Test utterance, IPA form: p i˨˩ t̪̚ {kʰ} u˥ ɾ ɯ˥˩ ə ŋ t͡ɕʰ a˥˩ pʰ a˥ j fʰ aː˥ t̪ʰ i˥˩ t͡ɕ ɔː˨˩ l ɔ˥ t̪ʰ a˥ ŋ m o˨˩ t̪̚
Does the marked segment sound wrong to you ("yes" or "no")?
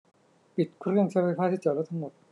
no